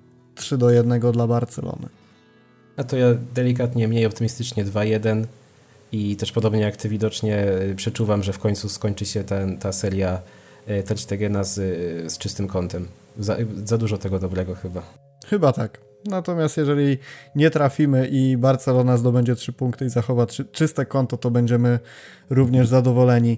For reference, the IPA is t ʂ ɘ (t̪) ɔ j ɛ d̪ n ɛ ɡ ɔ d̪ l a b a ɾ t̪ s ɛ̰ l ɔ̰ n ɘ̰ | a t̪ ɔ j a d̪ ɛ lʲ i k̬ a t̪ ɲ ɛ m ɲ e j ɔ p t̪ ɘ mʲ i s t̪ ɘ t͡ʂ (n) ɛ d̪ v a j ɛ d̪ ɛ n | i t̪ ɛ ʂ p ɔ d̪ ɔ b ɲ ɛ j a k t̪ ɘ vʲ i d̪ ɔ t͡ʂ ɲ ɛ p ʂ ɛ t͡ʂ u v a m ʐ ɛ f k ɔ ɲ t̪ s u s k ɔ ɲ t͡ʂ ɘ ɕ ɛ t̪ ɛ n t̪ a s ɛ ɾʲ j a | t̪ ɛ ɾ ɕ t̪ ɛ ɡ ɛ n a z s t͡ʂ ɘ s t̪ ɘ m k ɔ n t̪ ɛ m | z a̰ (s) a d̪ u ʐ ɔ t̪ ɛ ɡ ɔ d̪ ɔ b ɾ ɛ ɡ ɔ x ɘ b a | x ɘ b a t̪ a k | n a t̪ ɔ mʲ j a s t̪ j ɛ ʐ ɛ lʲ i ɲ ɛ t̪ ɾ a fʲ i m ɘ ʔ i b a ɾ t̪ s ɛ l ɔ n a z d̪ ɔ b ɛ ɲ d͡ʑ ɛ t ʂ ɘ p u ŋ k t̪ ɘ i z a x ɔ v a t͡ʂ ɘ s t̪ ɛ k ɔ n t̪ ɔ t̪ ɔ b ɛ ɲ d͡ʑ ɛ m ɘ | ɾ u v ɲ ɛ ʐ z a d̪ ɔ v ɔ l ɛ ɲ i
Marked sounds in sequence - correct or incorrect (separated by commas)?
incorrect, incorrect, incorrect